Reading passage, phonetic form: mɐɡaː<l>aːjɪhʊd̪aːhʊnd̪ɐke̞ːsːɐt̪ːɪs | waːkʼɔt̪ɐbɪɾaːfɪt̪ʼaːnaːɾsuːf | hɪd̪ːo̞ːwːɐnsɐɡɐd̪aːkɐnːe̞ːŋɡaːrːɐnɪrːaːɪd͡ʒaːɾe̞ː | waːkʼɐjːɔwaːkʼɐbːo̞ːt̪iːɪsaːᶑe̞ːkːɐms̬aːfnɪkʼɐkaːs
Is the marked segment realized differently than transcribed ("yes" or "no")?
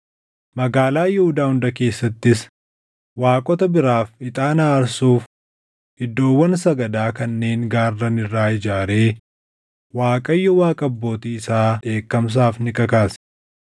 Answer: no